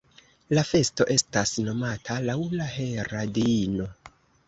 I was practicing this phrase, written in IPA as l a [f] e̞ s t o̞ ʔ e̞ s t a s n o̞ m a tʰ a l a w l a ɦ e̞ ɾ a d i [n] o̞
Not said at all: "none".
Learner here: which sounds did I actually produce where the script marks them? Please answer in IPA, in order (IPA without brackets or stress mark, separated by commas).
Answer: f, n